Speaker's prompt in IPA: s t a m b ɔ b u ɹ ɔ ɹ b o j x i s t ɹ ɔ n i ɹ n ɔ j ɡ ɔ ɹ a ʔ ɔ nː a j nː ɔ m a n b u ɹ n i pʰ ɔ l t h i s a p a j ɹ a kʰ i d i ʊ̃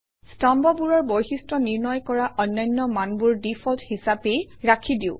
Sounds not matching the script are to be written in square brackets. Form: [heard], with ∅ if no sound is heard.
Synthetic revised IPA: s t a m b ɔ b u ɹ ɔ ɹ b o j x i s t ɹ ɔ n i ɹ n ɔ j [k] ɔ ɹ a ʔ ɔ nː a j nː ɔ m a n b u ɹ [d] i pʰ ɔ l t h i s a p [e] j ɹ a kʰ i d i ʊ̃